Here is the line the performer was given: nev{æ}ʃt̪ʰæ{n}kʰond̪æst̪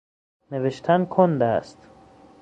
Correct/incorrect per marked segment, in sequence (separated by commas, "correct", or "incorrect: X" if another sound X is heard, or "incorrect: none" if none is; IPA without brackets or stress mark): incorrect: e, correct